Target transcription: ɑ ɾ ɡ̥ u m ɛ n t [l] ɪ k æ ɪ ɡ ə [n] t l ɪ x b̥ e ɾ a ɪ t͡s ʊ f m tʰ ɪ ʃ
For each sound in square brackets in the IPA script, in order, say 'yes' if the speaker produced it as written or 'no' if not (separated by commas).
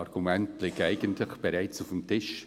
yes, yes